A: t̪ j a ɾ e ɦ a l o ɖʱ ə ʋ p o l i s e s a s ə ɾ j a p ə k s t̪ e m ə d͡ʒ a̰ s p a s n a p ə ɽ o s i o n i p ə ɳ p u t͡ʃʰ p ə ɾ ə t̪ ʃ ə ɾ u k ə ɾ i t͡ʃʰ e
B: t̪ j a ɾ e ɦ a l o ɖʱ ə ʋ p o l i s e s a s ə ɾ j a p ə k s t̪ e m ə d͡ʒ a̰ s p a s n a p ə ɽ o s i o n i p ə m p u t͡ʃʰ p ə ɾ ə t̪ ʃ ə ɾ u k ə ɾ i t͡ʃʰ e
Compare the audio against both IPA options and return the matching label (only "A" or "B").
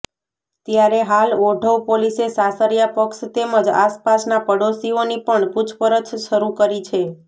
A